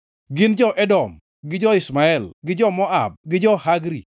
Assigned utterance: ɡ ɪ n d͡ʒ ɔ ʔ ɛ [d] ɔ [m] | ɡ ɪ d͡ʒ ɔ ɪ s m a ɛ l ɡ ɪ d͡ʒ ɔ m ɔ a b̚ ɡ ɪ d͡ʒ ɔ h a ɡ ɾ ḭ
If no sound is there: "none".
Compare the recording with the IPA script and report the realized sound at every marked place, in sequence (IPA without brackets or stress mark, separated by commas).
d, m